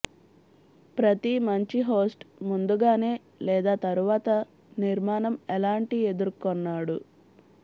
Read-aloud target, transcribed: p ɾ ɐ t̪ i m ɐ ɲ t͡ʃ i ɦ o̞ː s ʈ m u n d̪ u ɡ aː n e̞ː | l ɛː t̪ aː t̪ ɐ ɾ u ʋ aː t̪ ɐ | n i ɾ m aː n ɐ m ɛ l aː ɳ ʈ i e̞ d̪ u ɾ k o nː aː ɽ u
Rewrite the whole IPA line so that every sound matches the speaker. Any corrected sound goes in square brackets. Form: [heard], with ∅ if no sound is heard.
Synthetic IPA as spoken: p ɾ ɐ t̪ i m ɐ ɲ t͡ʃ i ɦ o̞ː s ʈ m u n d̪ u ɡ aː n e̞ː | l ɛː [d̪] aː t̪ ɐ ɾ u ʋ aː t̪ ɐ | n i ɾ m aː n ɐ m ɛ l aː ɳ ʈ i e̞ d̪ u ɾ k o nː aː ɽ u

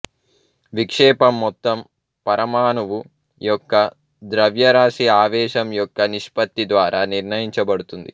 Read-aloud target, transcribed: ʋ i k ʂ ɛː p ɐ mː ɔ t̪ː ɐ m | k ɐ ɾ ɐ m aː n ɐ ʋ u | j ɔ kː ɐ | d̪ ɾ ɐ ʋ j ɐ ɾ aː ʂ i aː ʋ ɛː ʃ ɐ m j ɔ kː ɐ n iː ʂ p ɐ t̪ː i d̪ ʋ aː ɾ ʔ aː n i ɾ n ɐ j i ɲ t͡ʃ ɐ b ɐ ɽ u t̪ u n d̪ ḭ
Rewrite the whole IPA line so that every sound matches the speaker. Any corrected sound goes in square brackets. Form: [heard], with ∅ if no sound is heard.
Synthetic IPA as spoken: ʋ i k ʂ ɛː p ɐ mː ɔ t̪ː ɐ m | [p] ɐ ɾ ɐ m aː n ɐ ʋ u | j ɔ kː ɐ | d̪ ɾ ɐ ʋ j ɐ ɾ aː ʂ i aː ʋ ɛː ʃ ɐ m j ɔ kː ɐ n [i] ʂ p ɐ t̪ː i d̪ ʋ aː ɾ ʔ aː n i ɾ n ɐ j i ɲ t͡ʃ ɐ b ɐ ɽ u t̪ u n d̪ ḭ

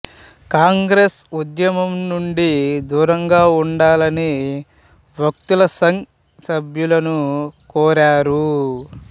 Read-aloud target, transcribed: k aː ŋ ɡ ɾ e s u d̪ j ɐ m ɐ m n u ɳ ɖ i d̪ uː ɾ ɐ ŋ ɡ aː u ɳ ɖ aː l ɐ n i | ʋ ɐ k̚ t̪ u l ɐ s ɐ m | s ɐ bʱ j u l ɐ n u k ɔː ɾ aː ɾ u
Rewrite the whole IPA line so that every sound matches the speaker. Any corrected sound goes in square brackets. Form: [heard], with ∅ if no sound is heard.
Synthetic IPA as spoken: k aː ŋ ɡ ɾ e s u d̪ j ɐ m ɐ m n u ɳ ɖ i d̪ uː ɾ ɐ ŋ ɡ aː u ɳ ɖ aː l ɐ n i | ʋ ɐ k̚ t̪ u l ɐ s ɐ [ŋ] | s ɐ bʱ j u l ɐ n u k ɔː ɾ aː ɾ u

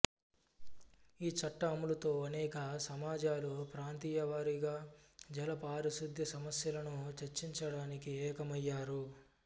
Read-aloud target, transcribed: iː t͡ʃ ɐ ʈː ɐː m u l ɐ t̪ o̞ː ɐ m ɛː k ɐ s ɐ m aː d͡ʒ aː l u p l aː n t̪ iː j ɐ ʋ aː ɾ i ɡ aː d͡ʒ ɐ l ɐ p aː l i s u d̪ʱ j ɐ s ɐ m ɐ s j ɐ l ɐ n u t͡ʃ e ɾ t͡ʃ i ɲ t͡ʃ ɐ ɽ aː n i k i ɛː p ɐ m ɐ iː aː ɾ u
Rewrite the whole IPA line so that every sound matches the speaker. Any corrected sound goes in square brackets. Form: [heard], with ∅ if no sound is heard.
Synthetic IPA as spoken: iː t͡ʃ ɐ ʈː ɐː m u l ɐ t̪ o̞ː ɐ [n] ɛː k ɐ s ɐ m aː d͡ʒ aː l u p [ɾ] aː n t̪ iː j ɐ ʋ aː ɾ i ɡ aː d͡ʒ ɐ l ɐ p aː [ɾ] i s u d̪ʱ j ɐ s ɐ m ɐ s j ɐ l ɐ n u t͡ʃ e ɾ t͡ʃ i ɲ t͡ʃ ɐ ɽ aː n i k i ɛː [k] ɐ m ɐ [jː] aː ɾ u

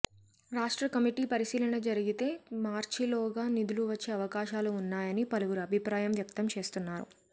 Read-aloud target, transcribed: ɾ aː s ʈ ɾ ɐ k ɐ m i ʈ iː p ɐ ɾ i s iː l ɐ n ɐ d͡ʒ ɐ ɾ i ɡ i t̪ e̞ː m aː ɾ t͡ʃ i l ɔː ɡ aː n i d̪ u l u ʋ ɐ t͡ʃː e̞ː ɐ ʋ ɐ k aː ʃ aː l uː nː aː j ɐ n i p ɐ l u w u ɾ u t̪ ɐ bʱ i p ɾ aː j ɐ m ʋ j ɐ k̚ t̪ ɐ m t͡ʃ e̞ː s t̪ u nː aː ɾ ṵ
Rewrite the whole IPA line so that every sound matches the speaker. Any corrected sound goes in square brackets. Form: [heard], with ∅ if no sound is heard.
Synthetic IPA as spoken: ɾ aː [ʂ] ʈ ɾ ɐ k ɐ m i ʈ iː p ɐ ɾ i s iː l ɐ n ɐ d͡ʒ ɐ ɾ i ɡ i t̪ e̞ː m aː ɾ t͡ʃ i l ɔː ɡ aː n i d̪ u l u ʋ ɐ t͡ʃː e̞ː ɐ ʋ ɐ k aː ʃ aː l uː nː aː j ɐ n i p ɐ l u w u ɾ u [∅] ɐ bʱ i p ɾ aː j ɐ m ʋ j ɐ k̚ t̪ ɐ m t͡ʃ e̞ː s t̪ u nː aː ɾ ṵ

